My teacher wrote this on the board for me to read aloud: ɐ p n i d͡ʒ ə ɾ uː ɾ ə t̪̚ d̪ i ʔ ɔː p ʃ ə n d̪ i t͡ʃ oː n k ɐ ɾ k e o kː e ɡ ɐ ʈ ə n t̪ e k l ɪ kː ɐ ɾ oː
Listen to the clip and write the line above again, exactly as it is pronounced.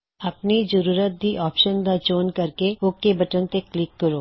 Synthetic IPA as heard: ɐ p n i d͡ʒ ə ɾ uː ɾ ə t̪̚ d̪ i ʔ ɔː p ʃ ə n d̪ a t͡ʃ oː n k ɐ ɾ k e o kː e b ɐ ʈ ə n t̪ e k l ɪ kː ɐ ɾ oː